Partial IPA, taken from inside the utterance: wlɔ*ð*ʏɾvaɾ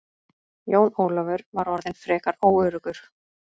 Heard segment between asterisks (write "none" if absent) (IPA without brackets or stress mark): v